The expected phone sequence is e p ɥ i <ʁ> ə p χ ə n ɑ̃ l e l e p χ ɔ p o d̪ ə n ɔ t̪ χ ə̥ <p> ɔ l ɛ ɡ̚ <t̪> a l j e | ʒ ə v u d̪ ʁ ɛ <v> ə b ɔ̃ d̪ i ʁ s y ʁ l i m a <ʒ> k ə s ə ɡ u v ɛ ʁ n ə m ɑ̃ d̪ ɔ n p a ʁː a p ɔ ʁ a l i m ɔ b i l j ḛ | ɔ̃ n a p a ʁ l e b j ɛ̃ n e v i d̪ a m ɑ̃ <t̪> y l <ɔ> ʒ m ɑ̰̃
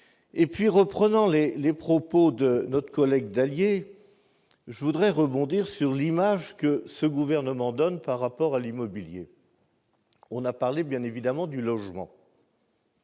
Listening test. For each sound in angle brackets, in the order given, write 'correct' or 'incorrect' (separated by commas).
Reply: correct, incorrect, incorrect, incorrect, correct, incorrect, correct